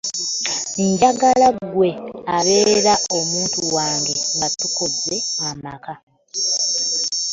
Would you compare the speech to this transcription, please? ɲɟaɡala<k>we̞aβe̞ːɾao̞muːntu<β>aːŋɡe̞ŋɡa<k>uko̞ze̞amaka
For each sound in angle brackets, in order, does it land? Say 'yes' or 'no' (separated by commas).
no, no, no